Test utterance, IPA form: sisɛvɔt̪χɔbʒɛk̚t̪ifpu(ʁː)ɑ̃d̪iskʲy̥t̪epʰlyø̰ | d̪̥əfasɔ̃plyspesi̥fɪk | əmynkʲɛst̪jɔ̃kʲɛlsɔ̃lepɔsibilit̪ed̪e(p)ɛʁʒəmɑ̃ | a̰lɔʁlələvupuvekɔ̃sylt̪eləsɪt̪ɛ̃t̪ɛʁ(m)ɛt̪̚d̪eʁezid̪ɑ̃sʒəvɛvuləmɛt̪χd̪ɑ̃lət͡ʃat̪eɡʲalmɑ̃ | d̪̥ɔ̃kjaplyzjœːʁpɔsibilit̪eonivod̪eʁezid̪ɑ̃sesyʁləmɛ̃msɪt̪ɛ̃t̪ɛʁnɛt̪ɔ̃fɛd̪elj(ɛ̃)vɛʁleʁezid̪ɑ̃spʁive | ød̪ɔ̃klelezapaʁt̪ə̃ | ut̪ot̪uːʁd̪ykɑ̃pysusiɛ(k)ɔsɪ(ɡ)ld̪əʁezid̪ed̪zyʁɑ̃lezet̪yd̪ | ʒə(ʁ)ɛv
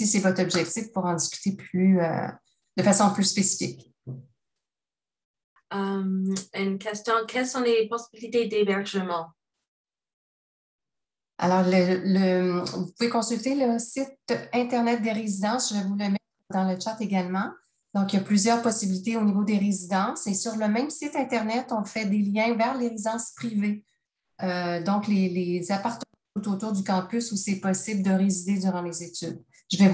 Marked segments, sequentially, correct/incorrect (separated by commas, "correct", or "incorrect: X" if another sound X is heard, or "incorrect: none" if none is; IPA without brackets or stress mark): incorrect: ʁ, incorrect: b, incorrect: n, correct, incorrect: p, incorrect: b, incorrect: v